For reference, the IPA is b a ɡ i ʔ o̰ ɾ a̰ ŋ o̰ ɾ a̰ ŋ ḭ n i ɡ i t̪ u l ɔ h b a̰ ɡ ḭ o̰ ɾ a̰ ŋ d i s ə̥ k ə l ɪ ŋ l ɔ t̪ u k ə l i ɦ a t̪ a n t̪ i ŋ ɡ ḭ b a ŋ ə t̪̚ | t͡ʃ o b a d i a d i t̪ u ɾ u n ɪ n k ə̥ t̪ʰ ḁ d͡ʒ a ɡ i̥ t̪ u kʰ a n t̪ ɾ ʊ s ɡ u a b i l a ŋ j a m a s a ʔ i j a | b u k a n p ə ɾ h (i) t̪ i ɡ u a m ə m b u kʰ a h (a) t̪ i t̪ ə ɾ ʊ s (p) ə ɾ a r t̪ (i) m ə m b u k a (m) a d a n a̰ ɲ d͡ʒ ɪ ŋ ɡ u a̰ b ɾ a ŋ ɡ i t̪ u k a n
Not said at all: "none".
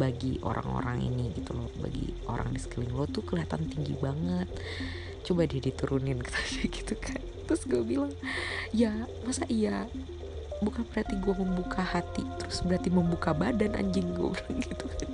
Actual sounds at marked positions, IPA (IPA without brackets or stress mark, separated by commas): a, a, b, i, b